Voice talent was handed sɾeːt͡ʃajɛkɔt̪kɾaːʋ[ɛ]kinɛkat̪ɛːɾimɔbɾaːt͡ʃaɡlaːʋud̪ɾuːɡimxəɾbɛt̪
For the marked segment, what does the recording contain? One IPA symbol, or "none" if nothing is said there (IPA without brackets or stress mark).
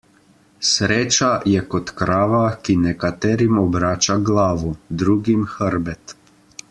a